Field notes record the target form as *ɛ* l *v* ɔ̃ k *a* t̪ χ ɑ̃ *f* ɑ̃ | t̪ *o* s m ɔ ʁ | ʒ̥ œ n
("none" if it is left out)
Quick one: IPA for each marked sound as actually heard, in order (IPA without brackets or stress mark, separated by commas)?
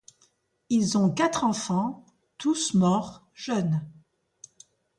i, z, a, f, u